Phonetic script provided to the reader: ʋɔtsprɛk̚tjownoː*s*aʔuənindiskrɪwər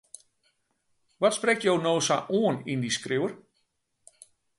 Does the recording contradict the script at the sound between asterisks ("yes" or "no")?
no